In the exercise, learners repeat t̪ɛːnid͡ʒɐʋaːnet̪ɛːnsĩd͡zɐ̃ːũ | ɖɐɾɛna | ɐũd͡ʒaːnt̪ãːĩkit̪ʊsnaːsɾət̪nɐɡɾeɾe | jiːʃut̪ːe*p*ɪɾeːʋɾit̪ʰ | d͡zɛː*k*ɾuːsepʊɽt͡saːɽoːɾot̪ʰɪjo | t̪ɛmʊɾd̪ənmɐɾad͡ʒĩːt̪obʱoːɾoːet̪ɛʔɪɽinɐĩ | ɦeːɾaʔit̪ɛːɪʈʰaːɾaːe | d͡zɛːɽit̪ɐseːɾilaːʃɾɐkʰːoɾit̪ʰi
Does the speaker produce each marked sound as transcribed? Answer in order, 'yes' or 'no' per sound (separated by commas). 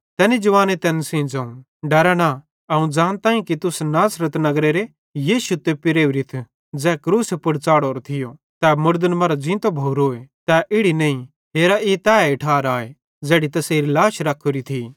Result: yes, yes